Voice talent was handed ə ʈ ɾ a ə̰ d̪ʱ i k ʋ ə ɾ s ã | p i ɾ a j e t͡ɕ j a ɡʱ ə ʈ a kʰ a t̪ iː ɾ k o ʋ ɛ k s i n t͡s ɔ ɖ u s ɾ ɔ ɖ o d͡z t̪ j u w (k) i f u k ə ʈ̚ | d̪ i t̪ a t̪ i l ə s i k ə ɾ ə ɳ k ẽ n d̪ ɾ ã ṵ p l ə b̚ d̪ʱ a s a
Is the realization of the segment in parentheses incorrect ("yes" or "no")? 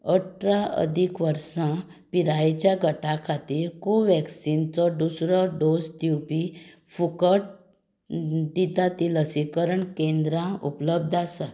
yes